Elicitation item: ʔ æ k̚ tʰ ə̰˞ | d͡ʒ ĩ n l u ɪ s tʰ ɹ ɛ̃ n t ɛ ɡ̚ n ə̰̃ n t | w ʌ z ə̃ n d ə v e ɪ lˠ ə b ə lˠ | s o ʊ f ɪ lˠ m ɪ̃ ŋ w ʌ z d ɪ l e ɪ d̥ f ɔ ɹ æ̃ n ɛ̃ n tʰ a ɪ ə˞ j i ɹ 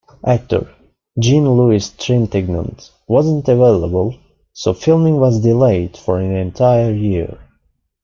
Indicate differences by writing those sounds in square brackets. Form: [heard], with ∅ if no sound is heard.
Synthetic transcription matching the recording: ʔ æ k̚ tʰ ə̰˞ | d͡ʒ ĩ n l u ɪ s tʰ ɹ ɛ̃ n t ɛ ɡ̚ n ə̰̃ n t | w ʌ z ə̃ n [t] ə v e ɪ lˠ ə b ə lˠ | s o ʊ f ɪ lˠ m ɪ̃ ŋ w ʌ z d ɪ l e ɪ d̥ f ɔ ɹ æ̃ n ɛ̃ n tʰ a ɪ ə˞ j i ɹ